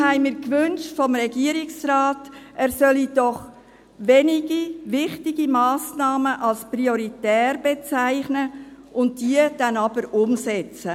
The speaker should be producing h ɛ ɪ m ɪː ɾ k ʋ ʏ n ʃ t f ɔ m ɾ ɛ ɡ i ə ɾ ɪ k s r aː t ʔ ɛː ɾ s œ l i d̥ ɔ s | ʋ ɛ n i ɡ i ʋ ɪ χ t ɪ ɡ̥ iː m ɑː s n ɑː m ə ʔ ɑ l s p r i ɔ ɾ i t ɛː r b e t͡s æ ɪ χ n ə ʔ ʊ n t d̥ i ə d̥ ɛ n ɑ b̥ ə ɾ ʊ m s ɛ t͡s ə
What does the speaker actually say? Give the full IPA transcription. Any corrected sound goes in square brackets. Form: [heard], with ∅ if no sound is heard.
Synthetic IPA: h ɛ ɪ m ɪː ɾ k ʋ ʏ n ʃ t f ɔ m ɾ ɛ ɡ i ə ɾ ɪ k s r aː t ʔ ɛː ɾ s œ l i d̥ ɔ [χ] | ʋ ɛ n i ɡ i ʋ ɪ χ t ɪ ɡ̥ [i] m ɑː s n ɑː m ə ʔ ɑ l s p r i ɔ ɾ i t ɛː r b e t͡s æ ɪ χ n ə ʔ ʊ n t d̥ i ə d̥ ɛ n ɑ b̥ ə ɾ ʊ m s ɛ t͡s ə